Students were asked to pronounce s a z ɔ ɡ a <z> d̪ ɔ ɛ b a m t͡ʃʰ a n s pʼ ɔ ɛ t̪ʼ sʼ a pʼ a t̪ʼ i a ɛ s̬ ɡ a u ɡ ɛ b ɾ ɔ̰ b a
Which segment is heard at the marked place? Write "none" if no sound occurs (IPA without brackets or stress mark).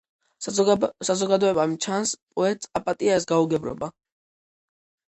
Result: none